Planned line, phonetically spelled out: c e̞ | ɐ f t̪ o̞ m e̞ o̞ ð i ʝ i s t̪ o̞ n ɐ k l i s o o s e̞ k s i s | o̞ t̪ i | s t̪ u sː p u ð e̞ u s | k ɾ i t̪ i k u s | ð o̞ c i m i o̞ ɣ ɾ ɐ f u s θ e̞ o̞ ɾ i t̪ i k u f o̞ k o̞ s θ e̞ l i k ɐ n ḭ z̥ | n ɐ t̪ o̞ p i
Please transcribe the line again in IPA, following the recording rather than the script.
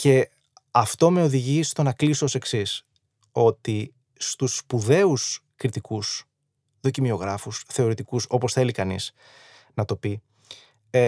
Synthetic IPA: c e̞ | ɐ f t̪ o̞ m e̞ o̞ ð i ʝ i s t̪ o̞ n ɐ k l i s o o s e̞ k s i s | o̞ t̪ i | s t̪ u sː p u ð e̞ u s | k ɾ i t̪ i k u s | ð o̞ c i m i o̞ ɣ ɾ ɐ f u s θ e̞ o̞ ɾ i t̪ i k u s o̞ p o̞ s θ e̞ l i k ɐ n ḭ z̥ | n ɐ t̪ o̞ p i